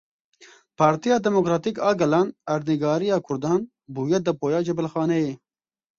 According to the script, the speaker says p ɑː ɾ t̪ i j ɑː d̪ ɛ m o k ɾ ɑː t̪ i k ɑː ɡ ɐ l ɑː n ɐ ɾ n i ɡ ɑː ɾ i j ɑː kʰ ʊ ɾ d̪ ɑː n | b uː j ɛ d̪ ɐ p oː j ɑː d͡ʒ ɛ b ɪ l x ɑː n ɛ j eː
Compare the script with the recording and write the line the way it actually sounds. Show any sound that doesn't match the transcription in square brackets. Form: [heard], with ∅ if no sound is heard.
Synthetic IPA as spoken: p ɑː ɾ t̪ i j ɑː d̪ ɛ m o k ɾ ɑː t̪ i k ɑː ɡ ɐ l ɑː n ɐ ɾ n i ɡ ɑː ɾ i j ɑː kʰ ʊ ɾ d̪ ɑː n | b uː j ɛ d̪ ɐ p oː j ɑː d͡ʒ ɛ b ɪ l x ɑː n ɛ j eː

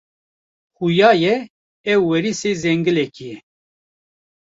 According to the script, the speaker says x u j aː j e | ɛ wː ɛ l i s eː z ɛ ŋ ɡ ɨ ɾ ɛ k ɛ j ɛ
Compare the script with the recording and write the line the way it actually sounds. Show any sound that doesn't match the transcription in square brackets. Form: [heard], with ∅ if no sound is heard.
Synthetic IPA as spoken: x u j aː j [ɛ] | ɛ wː ɛ [ɾ] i s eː z ɛ ŋ ɡ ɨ [l] ɛ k [i] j ɛ

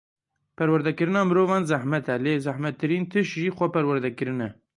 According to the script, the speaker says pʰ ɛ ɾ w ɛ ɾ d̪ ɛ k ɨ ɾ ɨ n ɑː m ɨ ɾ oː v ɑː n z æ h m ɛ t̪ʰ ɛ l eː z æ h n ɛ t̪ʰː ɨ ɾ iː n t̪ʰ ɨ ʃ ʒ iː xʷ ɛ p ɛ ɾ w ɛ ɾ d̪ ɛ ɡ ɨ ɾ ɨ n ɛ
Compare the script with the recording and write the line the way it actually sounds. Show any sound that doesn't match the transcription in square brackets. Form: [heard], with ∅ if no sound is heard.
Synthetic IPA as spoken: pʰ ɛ ɾ w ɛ ɾ d̪ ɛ k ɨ ɾ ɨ n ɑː m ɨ ɾ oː v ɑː n z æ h m ɛ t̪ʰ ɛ l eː z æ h [m] ɛ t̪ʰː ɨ ɾ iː n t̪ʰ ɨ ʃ ʒ iː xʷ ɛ p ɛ ɾ w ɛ ɾ d̪ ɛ [k] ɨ ɾ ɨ n ɛ

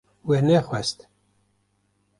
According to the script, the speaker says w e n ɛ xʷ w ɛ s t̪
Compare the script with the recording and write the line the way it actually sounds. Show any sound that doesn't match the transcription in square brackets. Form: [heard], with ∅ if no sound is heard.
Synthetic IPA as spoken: w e n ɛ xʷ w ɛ s t̪

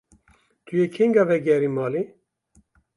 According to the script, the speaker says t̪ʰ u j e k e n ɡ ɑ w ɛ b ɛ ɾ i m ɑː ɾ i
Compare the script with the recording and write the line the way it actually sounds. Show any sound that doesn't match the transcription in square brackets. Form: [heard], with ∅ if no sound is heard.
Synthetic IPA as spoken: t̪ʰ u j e [kʰ] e [ŋ] ɡ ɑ [v] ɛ [ɡ] ɛ ɾ i m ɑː [l] i

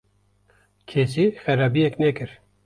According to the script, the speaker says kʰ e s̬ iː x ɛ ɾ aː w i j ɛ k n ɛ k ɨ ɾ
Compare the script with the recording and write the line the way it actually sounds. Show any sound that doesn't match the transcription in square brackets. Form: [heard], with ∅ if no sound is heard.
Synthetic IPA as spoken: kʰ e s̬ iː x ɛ ɾ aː [b] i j ɛ k n ɛ k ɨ ɾ

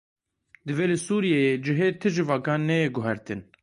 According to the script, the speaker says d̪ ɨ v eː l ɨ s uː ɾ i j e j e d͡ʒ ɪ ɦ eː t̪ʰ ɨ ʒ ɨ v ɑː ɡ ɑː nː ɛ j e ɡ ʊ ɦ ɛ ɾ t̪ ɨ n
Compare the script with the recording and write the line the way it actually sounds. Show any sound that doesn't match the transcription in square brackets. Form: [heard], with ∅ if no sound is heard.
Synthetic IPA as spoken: d̪ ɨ v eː l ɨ s uː ɾ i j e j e d͡ʒ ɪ ɦ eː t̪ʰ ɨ ʒ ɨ v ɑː ɡ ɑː nː ɛ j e ɡ ʊ ɦ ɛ ɾ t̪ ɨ n

